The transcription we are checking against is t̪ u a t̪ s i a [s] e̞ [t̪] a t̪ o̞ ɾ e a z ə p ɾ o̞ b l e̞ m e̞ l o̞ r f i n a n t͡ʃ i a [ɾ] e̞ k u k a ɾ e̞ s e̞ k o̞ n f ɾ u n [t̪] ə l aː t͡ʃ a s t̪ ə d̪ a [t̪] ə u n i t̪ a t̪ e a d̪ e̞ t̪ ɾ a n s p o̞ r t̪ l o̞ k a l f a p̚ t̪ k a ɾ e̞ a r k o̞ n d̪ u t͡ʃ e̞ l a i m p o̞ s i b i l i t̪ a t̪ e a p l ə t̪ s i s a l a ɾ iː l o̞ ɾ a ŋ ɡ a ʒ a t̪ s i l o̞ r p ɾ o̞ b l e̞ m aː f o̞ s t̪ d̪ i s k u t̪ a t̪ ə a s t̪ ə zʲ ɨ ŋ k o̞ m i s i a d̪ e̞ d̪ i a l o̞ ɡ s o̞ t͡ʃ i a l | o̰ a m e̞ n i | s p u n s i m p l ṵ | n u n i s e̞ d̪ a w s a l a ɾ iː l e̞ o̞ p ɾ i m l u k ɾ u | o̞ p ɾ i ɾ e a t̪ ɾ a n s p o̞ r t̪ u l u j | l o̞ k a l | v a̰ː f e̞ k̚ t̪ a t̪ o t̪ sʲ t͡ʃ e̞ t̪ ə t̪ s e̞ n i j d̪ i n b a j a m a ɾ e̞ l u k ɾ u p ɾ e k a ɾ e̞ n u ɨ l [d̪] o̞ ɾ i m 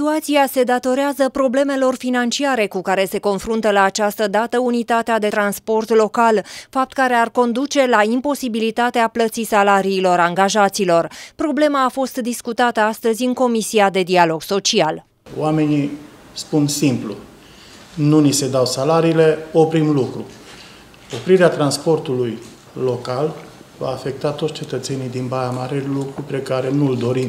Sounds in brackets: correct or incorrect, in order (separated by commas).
correct, incorrect, correct, correct, correct, correct